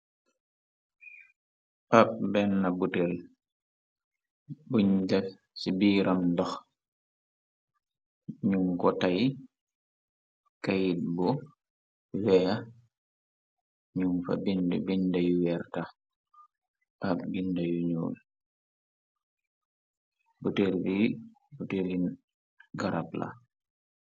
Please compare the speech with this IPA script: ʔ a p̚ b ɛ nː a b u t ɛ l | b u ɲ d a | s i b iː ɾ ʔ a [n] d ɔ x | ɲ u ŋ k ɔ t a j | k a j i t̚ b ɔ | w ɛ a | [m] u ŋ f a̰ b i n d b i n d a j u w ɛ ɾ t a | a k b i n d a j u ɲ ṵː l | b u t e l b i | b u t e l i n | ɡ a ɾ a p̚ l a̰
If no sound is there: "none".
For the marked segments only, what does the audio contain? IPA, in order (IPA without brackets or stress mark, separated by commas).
m, ɲ